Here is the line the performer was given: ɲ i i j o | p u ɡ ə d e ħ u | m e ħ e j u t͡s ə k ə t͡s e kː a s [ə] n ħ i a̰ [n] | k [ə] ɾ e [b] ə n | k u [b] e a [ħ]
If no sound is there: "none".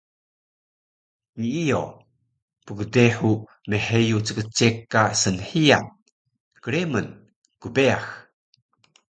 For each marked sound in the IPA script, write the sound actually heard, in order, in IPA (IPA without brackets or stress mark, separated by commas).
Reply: ə, n, ə, m, b, x